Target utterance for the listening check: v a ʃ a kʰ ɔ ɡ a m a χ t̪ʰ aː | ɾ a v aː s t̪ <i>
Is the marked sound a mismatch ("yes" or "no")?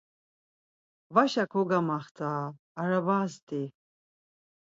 no